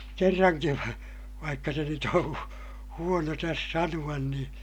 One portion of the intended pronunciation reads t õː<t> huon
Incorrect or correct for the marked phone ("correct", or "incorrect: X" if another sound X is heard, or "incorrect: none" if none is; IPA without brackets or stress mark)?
incorrect: none